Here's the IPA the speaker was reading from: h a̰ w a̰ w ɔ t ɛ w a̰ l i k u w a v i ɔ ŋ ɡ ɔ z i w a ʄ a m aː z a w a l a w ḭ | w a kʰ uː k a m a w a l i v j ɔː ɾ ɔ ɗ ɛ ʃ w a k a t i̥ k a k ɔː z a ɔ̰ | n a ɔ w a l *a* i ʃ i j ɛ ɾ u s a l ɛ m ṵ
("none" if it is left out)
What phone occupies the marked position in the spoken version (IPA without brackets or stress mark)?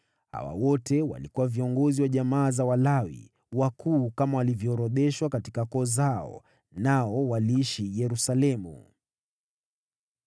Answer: i